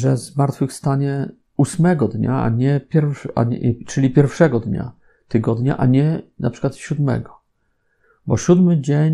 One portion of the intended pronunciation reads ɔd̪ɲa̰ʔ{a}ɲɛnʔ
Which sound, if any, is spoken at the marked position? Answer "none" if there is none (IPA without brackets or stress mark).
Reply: a